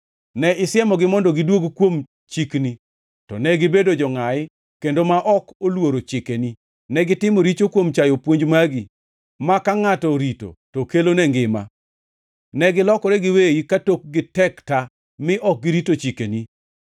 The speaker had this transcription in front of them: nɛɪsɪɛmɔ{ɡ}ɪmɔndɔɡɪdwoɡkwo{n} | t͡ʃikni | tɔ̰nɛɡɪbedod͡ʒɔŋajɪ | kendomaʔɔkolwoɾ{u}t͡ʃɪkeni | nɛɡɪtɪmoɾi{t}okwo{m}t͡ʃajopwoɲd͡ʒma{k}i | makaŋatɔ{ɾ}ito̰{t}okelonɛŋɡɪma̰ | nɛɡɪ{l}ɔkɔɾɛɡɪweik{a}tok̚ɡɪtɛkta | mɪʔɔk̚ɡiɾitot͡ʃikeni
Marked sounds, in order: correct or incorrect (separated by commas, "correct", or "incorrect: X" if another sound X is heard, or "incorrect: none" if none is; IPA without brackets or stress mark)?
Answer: correct, incorrect: m, incorrect: o, incorrect: t͡ʃ, correct, incorrect: ɡ, correct, correct, correct, correct